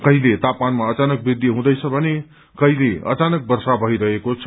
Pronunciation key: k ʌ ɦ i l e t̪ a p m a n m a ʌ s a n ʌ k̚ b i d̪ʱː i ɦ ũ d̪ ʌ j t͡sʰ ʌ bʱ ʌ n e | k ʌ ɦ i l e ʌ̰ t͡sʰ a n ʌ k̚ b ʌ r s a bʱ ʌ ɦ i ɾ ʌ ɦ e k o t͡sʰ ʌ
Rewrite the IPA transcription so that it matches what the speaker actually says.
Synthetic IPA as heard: k ʌ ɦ i l e t̪ a p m a n m a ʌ t͡s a n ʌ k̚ b i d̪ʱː i ɦ ũ d̪ ʌ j t͡sʰ ʌ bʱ ʌ n e | k ʌ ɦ i l e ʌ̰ t͡s a n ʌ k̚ b ʌ r s a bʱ ʌ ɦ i ɾ ʌ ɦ e k o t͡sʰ ʌ